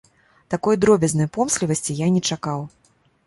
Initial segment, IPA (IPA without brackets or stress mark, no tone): t̪